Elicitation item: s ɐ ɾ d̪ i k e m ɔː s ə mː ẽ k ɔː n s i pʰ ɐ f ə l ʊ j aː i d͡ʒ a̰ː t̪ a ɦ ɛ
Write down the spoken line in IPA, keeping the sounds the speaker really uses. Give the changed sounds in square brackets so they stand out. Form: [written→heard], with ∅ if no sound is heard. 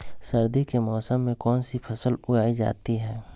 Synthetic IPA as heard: s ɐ ɾ d̪ i k e m ɔː s ə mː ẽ k ɔː n s i pʰ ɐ [f→s] ə l ʊ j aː i d͡ʒ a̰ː t̪ [a→i] ɦ [ɛ→ɛː]